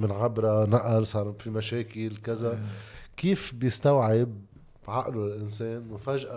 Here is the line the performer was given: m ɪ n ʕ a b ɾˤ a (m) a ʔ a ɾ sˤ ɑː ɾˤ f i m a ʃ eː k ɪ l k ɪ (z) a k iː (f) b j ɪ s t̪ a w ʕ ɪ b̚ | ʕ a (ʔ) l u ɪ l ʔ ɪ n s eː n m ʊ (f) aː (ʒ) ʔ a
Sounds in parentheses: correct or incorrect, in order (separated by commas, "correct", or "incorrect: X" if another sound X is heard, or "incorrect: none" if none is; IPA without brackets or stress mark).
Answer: incorrect: n, correct, correct, correct, correct, correct